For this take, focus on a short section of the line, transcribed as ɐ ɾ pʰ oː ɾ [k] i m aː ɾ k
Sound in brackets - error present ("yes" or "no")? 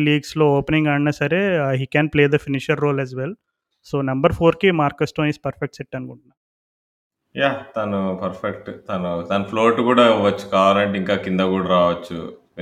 no